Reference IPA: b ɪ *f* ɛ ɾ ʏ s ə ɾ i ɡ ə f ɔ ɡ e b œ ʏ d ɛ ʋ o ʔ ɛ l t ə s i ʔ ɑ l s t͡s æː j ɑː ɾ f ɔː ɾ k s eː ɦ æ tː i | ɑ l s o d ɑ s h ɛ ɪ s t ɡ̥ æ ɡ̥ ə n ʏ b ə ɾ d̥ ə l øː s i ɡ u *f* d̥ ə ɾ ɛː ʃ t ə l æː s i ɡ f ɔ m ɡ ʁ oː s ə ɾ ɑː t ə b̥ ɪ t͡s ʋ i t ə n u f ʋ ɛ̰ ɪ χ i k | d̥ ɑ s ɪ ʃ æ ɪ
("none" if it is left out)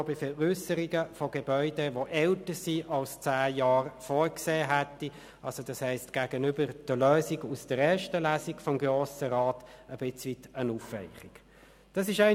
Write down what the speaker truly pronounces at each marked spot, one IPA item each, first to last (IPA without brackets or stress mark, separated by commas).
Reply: f, s